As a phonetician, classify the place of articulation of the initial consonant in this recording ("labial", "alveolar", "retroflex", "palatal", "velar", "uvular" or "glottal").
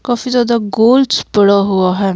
velar